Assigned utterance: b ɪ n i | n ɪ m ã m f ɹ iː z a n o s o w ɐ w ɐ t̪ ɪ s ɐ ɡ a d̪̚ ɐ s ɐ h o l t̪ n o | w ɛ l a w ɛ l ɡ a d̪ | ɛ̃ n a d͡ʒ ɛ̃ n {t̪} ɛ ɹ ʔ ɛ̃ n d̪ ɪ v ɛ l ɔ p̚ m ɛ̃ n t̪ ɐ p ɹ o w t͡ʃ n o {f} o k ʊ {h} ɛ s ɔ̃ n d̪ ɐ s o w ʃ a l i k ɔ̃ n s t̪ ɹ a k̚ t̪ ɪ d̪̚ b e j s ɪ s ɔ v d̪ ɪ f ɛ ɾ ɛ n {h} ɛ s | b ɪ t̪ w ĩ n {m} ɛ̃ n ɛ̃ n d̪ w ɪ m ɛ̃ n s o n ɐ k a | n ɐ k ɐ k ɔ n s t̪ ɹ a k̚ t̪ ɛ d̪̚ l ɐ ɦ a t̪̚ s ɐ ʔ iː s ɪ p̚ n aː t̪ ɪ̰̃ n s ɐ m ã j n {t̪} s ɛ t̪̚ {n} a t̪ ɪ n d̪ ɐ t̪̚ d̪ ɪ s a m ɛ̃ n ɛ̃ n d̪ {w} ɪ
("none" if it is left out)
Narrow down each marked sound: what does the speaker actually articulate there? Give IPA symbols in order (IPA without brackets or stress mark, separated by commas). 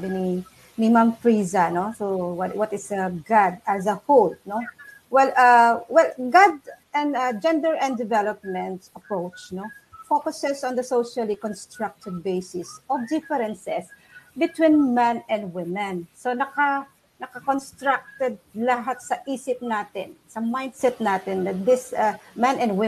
d̪, f, s, s, m, d̪, n, w